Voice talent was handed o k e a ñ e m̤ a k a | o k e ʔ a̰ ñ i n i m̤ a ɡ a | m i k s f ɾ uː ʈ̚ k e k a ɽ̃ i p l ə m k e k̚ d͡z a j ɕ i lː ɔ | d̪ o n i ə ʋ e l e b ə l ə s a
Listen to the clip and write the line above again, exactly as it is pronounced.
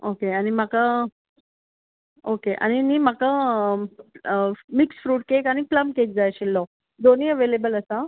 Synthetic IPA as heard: o k e a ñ i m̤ a k a | o k e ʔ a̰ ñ i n i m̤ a k a | m i k s f ɾ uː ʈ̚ k e k a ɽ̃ i p l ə m k e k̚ d͡z a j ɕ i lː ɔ | d̪ o n i ə ʋ e l e b ə l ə s a